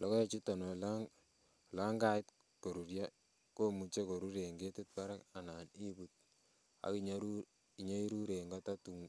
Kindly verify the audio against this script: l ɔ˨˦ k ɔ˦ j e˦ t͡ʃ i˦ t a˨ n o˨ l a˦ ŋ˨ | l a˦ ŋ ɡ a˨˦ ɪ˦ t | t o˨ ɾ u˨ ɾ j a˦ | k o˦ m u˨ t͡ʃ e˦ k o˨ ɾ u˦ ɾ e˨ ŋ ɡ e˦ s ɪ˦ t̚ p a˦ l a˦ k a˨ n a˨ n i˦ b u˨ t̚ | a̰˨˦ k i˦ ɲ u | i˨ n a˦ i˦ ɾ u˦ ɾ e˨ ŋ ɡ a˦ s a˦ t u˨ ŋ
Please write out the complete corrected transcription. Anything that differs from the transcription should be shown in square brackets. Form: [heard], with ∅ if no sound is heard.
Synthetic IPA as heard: l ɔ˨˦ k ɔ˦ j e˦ t͡ʃ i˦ t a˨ n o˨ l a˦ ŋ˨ | l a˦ ŋ ɡ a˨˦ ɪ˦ t | [k] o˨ ɾ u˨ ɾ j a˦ | k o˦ m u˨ t͡ʃ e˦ k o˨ ɾ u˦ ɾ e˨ ŋ ɡ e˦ [t] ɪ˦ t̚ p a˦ [ɾ] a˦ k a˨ n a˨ n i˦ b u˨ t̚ | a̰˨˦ k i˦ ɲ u | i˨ [ɲ] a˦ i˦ ɾ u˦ ɾ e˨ ŋ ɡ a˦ [t] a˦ t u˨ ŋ